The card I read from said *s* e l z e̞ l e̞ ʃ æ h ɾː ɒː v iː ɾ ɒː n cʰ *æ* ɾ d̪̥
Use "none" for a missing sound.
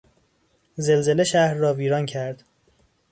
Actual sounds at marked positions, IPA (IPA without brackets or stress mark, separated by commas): z, æ